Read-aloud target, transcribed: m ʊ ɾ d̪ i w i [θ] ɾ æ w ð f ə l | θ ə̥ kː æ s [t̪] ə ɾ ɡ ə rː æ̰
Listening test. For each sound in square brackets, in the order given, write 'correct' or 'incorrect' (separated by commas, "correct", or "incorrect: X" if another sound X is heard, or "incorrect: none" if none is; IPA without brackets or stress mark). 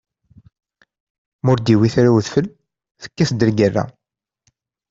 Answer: correct, incorrect: d̪